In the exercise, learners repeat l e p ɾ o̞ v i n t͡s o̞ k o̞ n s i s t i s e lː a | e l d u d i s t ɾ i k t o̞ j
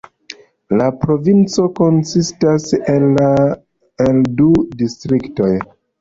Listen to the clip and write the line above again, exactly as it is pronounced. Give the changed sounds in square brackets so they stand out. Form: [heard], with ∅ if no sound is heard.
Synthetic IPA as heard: l [a] p ɾ o̞ v i n t͡s o̞ k o̞ n s i s t [a] s e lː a | e l d u d i s t ɾ i k t o̞ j